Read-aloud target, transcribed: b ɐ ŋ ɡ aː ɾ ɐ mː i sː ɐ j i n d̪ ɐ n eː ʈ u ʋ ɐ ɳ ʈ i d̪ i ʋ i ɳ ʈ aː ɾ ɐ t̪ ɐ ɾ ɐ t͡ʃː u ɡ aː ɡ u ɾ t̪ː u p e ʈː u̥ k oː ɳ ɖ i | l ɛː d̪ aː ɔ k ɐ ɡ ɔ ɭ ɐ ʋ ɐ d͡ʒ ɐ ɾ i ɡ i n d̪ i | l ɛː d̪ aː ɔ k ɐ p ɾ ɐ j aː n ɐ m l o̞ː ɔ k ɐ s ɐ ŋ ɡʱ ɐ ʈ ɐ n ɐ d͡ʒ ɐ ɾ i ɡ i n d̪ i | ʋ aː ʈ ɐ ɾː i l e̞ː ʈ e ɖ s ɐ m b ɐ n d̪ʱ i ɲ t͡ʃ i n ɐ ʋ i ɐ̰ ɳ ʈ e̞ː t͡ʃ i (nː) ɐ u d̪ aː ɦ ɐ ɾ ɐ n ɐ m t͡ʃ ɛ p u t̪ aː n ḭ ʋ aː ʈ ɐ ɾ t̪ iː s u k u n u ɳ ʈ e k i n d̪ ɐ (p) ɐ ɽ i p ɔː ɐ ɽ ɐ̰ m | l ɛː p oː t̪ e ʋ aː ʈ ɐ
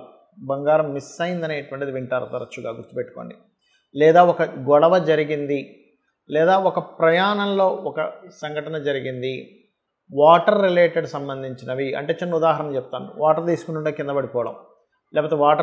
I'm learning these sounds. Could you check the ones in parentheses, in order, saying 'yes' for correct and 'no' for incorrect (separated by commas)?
yes, no